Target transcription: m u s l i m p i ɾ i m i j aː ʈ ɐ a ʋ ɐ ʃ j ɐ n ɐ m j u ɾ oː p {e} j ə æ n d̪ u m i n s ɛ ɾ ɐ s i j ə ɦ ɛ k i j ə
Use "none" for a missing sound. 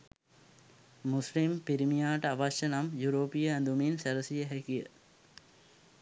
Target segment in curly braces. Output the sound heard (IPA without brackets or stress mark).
i